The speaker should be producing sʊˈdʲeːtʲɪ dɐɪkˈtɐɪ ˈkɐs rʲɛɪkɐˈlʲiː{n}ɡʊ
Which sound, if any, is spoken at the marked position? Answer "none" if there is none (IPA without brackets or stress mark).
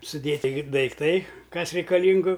ŋ